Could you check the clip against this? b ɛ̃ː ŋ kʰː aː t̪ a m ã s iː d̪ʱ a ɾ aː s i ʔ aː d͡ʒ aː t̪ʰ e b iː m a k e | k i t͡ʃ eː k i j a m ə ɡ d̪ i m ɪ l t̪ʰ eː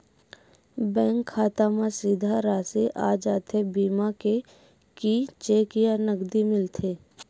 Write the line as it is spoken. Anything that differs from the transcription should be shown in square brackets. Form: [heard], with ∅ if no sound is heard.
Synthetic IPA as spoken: b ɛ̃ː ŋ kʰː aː t̪ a m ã s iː d̪ʱ a ɾ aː s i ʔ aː d͡ʒ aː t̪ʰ e b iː m a k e | k i t͡ʃ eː k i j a [n] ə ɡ d̪ i m ɪ l t̪ʰ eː

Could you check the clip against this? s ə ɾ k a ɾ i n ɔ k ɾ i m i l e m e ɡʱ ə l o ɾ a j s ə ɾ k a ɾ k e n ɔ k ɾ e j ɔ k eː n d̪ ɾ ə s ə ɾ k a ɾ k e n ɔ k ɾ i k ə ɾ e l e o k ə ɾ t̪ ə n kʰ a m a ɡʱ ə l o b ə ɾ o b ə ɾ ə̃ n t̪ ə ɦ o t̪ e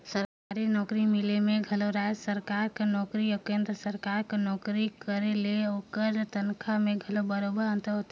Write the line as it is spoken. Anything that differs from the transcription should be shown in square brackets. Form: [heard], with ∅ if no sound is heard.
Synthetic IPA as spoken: s ə ɾ k a ɾ i n ɔ k ɾ i m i l e m e ɡʱ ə l o ɾ a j s ə ɾ k a ɾ k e n ɔ k ɾ [i] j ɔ k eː n d̪ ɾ ə s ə ɾ k a ɾ k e n ɔ k ɾ i k ə ɾ e l e o k ə ɾ t̪ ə n kʰ a m [e] ɡʱ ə l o b ə ɾ o b ə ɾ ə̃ n t̪ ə ɦ o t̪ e

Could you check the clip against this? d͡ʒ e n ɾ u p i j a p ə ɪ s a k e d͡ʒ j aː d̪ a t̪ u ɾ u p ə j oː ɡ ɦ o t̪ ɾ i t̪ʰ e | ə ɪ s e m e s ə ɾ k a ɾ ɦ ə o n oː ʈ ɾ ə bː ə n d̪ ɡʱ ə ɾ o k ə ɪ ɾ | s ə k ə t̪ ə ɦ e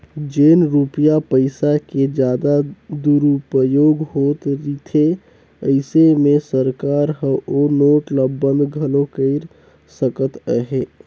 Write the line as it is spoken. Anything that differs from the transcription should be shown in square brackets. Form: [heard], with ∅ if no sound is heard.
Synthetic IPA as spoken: d͡ʒ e n ɾ u p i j a p ə ɪ s a k e d͡ʒ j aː d̪ a [d̪] u ɾ u p ə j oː ɡ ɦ o t̪ ɾ i t̪ʰ e | ə ɪ s e m e s ə ɾ k a ɾ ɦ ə o n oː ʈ [l] ə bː ə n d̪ ɡʱ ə [l] o k ə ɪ ɾ | s ə k ə t̪ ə ɦ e

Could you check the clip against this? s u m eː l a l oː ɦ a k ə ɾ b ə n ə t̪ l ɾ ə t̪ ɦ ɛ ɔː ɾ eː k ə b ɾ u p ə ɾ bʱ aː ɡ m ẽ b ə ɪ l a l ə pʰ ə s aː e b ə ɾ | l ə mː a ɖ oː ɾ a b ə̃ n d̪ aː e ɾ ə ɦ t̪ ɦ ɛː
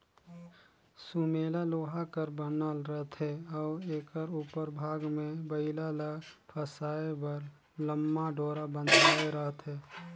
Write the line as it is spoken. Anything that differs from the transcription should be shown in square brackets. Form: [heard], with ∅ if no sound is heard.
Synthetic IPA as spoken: s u m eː l a l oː ɦ a k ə ɾ b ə n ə [∅] l ɾ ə t̪ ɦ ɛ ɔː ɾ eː k ə [∅] ɾ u p ə ɾ bʱ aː ɡ m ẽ b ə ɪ l a l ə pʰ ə s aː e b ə ɾ | l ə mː a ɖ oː ɾ a b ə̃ n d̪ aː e ɾ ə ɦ t̪ ɦ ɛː

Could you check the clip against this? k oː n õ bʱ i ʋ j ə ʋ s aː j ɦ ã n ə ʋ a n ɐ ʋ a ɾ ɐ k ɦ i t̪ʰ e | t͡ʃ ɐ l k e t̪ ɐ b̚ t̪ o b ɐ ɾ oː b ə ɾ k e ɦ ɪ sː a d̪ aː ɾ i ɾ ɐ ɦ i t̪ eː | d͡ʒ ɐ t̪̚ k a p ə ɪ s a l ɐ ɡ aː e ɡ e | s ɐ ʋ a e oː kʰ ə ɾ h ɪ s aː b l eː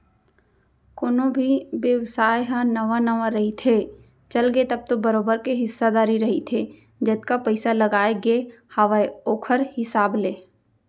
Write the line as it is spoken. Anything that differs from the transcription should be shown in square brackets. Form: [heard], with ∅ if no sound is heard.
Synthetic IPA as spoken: k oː n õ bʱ i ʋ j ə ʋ s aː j ɦ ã n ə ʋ a n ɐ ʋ a ɾ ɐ [∅] ɦ i t̪ʰ e | t͡ʃ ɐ l [ɡ] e t̪ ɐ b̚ t̪ o b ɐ ɾ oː b ə ɾ k e ɦ ɪ sː a d̪ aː ɾ i ɾ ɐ ɦ i [t̪ʰ] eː | d͡ʒ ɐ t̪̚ k a p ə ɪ s a l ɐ ɡ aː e ɡ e | [h] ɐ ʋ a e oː kʰ ə ɾ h ɪ s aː b l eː

